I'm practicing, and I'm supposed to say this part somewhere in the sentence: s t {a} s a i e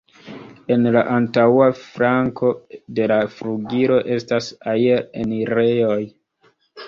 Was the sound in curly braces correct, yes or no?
yes